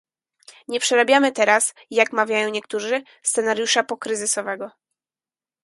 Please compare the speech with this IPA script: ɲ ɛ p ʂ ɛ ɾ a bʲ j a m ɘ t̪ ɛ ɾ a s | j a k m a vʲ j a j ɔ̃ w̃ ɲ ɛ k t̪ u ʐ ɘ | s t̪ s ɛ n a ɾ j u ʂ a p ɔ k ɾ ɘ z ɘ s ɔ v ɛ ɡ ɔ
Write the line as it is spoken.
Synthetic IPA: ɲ ɛ p ʂ ɛ ɾ a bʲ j a m ɘ t̪ ɛ ɾ a s | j a k m a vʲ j a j ɔ̃ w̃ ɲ ɛ k t̪ u ʐ ɘ | s t̪ s ɛ n a ɾ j u ʂ a p ɔ k ɾ ɘ z ɘ s ɔ v ɛ ɡ ɔ